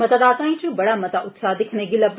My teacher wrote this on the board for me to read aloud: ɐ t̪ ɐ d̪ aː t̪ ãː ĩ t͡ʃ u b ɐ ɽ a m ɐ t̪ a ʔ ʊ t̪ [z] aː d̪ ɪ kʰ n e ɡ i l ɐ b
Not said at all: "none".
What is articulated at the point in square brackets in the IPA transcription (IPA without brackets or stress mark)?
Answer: s